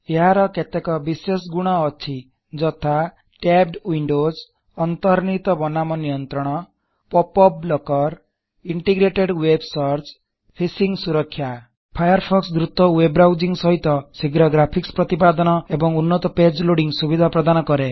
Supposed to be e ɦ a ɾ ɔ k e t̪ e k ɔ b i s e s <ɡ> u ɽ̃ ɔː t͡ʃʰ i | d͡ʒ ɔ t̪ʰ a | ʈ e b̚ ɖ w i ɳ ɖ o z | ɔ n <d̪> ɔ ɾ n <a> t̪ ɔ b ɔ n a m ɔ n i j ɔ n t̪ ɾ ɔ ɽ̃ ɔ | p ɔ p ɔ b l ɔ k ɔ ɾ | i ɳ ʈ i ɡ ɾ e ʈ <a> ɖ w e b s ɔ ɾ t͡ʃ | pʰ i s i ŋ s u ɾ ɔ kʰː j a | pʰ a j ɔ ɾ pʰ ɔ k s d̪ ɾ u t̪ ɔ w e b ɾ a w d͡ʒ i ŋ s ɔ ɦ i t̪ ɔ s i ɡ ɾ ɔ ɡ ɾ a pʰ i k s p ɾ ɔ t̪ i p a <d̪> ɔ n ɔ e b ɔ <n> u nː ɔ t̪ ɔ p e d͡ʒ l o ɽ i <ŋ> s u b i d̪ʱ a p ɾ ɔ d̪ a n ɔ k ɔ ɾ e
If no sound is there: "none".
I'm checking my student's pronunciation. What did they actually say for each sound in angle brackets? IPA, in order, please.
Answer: ɡ, t̪, i, e, d̪, ŋ, ŋ

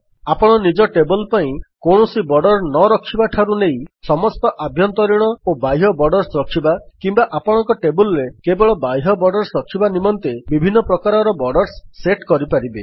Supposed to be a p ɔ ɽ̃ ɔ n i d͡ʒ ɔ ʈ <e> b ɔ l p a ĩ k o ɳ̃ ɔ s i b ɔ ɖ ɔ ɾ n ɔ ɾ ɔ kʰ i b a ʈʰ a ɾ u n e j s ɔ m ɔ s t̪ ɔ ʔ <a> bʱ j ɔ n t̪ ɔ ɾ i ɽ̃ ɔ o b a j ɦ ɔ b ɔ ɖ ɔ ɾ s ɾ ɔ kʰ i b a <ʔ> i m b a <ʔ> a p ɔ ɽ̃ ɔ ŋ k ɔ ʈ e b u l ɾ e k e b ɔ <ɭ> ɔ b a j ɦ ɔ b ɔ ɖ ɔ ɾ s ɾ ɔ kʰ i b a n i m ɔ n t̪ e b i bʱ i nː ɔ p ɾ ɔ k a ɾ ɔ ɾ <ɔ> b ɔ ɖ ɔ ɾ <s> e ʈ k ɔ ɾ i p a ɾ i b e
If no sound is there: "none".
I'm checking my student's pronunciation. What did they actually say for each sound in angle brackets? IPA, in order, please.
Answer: e, a, k, ʔ, ɭ, ɔ, sː

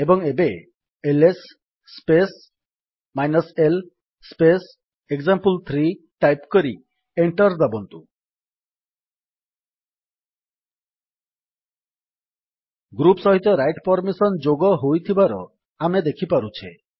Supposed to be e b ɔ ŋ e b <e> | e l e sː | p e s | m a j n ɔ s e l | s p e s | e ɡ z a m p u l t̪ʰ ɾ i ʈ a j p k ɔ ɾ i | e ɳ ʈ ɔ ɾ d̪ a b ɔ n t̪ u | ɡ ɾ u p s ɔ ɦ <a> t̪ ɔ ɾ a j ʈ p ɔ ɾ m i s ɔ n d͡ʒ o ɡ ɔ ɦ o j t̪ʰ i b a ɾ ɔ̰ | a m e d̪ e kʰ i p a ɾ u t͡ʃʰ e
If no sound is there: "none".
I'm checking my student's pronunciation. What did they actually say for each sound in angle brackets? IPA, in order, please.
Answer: e, i

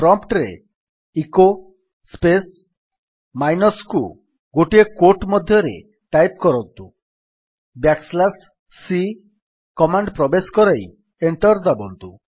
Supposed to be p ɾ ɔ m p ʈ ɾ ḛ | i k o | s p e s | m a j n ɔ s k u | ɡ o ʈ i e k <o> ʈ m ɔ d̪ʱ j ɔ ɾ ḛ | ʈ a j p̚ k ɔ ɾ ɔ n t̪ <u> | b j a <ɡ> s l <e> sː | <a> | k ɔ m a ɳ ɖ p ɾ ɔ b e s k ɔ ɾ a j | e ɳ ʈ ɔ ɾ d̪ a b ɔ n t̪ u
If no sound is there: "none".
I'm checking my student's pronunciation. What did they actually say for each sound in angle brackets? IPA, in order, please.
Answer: o, u, k, a, i

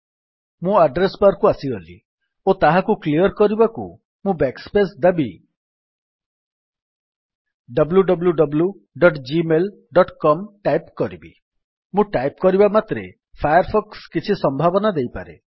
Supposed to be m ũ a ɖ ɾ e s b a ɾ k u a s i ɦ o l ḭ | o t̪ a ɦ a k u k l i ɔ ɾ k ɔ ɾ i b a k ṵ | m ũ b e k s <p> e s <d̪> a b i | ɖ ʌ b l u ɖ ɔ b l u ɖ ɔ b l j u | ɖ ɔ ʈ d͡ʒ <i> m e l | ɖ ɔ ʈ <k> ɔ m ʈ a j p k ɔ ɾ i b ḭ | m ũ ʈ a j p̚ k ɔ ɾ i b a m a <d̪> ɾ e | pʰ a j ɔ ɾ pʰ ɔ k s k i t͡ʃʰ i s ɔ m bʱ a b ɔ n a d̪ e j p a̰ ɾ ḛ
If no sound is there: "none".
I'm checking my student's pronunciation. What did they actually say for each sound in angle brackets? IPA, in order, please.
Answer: p, d̪, i, k, t̪

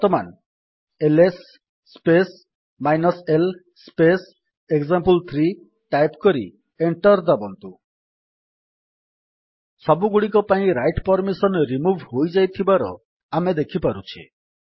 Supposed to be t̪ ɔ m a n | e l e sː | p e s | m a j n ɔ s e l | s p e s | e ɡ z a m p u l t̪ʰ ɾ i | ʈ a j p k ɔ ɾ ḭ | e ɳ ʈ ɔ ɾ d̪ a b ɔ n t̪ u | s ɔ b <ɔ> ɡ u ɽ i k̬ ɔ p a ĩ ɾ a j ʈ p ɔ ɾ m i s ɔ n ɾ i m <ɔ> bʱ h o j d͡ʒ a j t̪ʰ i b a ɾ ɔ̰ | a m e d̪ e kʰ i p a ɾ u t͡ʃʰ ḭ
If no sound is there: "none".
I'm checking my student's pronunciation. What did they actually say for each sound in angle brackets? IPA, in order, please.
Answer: u, u

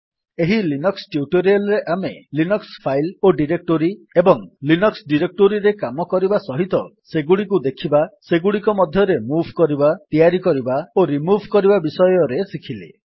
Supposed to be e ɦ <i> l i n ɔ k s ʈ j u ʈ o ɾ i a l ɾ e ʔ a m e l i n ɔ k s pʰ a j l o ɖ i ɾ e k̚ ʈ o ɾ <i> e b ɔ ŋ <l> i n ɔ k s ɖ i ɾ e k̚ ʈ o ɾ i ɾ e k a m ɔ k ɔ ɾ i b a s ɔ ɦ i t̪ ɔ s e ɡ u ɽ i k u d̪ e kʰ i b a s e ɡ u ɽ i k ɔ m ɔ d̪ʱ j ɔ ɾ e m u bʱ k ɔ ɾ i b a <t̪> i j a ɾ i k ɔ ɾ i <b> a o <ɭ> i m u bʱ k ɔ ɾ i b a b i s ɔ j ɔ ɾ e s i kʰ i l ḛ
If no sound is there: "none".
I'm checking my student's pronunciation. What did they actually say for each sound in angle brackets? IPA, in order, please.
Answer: i, i, l, t̪, b, ɾ

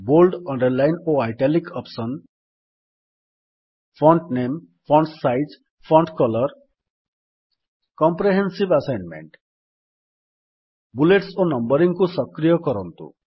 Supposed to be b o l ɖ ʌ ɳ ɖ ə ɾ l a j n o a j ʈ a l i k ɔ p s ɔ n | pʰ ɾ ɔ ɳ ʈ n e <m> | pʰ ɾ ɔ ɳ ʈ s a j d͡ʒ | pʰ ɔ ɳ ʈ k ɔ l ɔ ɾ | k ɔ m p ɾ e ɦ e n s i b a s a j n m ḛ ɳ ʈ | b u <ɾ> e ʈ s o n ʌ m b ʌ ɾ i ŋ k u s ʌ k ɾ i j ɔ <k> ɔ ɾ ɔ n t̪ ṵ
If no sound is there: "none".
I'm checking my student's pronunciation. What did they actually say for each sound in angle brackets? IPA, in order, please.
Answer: m, l, k

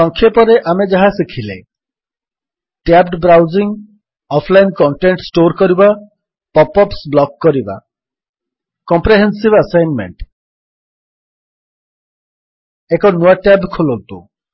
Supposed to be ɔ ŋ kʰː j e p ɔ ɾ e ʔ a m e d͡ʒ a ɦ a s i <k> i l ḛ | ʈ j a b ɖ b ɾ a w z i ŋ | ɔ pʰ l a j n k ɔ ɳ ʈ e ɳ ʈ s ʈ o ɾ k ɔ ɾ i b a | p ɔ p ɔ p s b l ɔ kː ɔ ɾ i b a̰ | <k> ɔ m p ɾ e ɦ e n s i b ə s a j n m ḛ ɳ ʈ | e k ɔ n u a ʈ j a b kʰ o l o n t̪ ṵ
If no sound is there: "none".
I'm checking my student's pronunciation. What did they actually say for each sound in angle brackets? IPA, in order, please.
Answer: kʰ, k

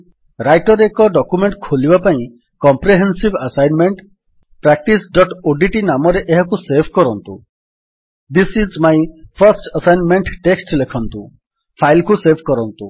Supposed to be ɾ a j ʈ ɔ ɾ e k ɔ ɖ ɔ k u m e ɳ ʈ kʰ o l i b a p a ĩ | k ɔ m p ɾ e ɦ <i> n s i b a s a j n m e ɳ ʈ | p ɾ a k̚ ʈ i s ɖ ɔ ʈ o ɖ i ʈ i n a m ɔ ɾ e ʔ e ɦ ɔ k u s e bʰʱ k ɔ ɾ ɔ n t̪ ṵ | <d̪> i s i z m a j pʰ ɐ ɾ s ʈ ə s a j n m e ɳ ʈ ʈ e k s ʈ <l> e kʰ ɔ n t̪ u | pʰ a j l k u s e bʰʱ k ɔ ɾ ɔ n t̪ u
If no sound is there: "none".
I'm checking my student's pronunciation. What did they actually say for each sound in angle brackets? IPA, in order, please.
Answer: e, d̪, l

